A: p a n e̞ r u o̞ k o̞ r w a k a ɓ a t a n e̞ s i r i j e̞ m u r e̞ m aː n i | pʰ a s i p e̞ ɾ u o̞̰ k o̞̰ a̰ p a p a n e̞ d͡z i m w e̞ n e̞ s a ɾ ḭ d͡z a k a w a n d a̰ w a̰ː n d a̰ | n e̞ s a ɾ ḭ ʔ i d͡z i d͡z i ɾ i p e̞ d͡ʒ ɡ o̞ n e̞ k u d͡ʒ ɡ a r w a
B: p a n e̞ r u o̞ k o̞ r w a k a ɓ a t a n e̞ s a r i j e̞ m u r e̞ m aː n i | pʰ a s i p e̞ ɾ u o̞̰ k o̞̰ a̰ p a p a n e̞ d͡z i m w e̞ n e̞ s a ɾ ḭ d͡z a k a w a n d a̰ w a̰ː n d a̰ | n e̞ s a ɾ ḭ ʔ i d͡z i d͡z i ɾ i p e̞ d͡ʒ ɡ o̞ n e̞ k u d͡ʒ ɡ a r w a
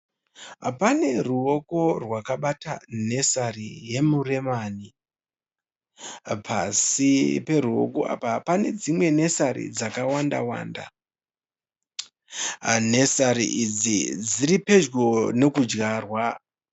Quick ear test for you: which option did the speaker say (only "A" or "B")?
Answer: B